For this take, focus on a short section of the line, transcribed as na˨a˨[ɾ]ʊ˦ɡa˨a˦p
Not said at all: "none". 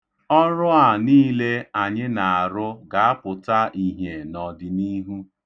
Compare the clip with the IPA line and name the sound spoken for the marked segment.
ɾ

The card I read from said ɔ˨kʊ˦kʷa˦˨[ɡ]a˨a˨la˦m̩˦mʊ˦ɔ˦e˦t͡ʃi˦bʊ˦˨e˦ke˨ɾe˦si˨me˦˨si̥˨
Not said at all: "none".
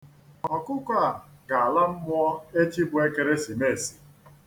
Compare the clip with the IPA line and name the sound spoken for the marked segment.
ɡ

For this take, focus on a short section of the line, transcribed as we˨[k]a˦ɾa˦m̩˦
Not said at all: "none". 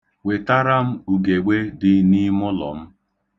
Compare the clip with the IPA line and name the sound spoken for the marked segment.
t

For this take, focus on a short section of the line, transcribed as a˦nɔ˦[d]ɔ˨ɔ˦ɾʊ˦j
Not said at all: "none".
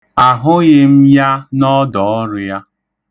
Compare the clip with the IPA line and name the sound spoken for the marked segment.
d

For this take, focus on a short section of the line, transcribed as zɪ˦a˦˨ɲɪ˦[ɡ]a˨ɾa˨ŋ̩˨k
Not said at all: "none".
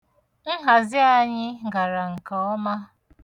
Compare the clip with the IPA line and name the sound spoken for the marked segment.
ɡ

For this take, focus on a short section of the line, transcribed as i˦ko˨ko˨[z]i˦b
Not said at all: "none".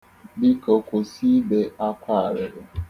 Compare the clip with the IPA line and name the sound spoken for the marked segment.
s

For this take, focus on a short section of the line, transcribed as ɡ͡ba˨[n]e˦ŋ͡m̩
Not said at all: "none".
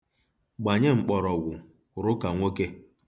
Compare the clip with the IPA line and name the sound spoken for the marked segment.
ɲ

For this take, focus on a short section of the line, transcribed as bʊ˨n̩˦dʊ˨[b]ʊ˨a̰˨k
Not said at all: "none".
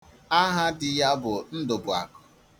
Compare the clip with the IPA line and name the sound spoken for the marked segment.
b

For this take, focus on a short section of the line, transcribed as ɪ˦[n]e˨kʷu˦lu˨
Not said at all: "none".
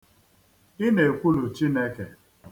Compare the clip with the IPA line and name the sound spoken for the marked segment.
n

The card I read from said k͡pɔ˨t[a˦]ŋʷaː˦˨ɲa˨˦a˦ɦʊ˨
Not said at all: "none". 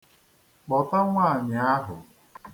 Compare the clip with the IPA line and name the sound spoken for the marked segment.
a˦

